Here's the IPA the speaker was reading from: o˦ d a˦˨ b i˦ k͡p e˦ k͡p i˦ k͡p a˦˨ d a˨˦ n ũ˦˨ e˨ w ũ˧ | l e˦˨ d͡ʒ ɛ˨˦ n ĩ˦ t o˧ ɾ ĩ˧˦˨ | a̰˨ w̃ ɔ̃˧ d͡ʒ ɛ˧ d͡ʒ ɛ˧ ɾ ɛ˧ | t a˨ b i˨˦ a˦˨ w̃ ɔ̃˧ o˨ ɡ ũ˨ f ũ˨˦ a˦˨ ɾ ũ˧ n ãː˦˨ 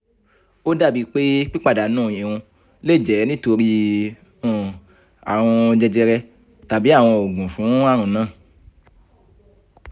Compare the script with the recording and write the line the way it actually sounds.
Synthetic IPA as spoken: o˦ d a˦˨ b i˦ k͡p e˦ k͡p i˦ k͡p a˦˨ d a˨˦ n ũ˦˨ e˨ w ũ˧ | l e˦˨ d͡ʒ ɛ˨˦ n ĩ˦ t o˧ ɾ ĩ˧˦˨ | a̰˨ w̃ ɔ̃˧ d͡ʒ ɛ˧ d͡ʒ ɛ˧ ɾ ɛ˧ | t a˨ b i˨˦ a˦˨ w̃ ɔ̃˧ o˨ ɡ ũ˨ f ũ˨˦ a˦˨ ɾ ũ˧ n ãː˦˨

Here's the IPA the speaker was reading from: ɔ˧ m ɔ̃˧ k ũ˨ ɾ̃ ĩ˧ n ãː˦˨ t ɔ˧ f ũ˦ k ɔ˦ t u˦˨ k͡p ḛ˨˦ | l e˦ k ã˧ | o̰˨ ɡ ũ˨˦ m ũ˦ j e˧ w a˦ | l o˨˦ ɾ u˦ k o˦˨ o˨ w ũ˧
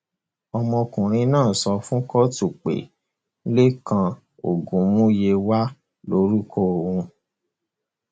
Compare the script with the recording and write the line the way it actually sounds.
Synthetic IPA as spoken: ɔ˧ m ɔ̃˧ k ũ˨ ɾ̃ ĩ˧ n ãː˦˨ s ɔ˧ f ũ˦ k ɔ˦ t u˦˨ k͡p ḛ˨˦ | l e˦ k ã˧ | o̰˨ ɡ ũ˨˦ m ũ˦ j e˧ w a˦ | l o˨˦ ɾ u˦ k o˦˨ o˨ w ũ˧

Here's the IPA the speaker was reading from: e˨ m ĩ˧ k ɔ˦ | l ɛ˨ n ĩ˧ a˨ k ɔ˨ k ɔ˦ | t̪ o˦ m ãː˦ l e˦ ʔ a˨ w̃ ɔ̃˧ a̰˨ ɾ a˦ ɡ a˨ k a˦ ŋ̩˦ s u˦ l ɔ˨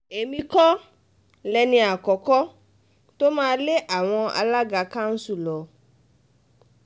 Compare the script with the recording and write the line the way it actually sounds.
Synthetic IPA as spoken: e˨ m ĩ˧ k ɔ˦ | l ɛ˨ n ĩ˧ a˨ k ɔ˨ k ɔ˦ | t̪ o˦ m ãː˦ l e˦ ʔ a˨ w̃ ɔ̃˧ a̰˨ l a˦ ɡ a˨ k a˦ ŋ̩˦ s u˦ l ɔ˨

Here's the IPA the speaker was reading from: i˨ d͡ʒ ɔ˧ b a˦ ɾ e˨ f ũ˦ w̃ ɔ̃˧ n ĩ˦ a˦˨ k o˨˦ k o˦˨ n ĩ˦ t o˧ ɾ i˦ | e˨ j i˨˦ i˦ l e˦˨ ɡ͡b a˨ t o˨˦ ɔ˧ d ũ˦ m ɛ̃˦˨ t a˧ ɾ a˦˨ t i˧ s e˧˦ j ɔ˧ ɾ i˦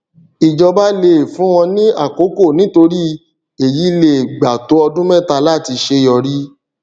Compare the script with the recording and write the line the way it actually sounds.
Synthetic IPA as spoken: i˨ d͡ʒ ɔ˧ b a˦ l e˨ f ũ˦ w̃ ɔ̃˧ n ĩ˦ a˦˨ k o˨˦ k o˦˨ n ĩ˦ t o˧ ɾ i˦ | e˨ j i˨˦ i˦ l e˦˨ ɡ͡b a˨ t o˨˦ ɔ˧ d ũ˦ m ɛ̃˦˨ t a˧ l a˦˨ t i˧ ʃ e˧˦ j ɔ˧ ɾ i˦

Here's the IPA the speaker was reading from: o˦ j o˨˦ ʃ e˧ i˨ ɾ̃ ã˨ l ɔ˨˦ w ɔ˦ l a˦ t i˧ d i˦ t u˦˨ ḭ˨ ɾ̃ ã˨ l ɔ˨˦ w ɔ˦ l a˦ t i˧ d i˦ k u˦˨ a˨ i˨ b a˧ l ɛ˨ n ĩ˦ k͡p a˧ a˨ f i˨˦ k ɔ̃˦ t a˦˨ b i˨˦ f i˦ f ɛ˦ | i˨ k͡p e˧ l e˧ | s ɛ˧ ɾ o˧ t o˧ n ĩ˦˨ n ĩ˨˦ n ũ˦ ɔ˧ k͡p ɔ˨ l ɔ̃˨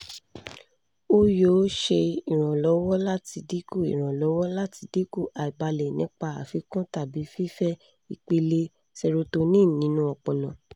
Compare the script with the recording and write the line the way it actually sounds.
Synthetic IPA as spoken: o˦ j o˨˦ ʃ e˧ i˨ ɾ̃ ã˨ l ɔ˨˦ w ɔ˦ l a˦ t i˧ d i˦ k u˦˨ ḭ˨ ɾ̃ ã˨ l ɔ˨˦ w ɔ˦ l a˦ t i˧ d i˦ k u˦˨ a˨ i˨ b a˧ l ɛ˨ n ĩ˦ k͡p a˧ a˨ f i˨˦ k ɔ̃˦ t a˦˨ b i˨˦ f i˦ f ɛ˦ | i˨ k͡p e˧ l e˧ | s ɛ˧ ɾ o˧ t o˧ n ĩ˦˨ n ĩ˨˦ n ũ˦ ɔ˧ k͡p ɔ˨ l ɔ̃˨

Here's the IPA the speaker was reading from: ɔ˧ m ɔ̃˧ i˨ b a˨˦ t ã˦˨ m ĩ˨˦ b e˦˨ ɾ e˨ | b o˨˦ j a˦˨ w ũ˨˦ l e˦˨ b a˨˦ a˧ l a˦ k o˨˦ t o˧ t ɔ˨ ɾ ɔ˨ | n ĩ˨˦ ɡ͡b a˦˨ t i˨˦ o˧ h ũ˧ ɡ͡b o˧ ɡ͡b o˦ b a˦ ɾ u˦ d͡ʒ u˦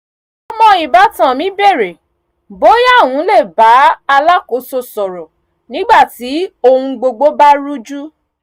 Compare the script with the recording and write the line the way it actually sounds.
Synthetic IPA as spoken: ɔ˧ m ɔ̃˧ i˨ b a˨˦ t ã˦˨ m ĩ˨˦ b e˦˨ ɾ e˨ | b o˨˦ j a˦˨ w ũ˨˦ l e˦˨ b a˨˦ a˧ l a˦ k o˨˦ s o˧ s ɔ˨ ɾ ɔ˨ | n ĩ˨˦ ɡ͡b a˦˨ t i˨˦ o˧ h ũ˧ ɡ͡b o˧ ɡ͡b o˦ b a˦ ɾ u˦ d͡ʒ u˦

